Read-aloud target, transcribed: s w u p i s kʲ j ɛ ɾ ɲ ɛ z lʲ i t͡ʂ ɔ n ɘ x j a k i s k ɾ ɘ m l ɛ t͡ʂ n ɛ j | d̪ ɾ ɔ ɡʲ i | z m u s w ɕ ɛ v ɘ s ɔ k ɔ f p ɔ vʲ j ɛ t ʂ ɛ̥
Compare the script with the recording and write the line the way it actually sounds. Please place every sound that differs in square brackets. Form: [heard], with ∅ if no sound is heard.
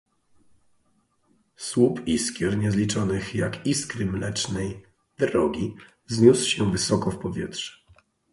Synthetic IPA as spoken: s w u p i s kʲ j ɛ ɾ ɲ ɛ z lʲ i t͡ʂ ɔ n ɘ x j a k i s k ɾ ɘ m l ɛ t͡ʂ n ɛ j | d̪ ɾ ɔ ɡʲ i | z [ɲ] u s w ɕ ɛ v ɘ s ɔ k ɔ f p ɔ vʲ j ɛ t ʂ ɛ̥